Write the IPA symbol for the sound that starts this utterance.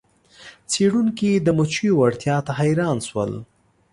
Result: t͡s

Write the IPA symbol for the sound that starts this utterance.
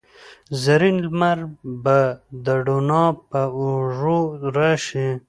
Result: z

